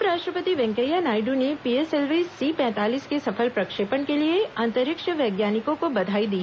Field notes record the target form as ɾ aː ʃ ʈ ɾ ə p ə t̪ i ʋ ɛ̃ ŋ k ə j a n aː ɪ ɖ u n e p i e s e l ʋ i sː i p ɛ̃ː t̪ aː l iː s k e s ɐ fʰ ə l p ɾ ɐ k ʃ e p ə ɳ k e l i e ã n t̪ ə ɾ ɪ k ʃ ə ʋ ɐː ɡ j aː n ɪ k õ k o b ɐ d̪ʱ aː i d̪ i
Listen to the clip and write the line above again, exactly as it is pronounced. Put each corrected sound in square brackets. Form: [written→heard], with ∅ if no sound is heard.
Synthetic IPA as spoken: ɾ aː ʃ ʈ ɾ ə p ə t̪ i ʋ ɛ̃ ŋ k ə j a n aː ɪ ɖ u n e p i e s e l ʋ i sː i p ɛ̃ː t̪ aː l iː s k e s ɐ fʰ ə l p ɾ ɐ k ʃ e p ə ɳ k e l i e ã n t̪ ə ɾ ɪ k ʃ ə ʋ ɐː ɡ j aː n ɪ k õ k o b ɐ d̪ʱ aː i d̪ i